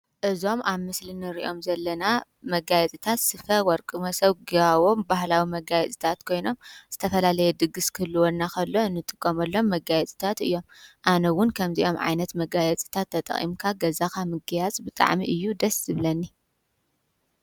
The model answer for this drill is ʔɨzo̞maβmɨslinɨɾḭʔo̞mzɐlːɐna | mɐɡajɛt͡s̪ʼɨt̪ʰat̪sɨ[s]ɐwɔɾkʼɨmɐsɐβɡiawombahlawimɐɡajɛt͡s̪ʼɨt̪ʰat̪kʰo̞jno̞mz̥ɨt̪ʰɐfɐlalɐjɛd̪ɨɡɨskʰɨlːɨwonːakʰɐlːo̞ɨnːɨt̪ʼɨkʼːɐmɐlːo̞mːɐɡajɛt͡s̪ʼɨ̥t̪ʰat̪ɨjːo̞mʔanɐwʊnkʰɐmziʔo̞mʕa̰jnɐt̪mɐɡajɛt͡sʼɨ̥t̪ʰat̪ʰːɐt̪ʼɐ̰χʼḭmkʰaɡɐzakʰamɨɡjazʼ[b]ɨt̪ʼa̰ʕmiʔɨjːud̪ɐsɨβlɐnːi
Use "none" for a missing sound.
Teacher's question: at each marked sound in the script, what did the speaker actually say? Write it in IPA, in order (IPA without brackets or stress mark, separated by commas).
f, b